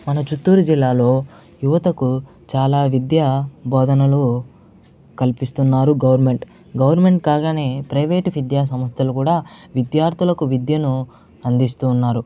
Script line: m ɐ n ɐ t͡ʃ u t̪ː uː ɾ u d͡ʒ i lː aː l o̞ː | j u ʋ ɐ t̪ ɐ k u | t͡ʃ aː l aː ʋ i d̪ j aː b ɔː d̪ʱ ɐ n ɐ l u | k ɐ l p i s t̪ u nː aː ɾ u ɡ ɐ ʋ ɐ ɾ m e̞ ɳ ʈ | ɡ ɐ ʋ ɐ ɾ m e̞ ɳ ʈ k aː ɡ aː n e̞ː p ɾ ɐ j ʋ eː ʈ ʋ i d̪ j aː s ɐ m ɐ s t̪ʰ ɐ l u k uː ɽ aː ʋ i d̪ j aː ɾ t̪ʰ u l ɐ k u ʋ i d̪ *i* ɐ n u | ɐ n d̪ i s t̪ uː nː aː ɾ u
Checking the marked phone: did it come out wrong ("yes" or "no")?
yes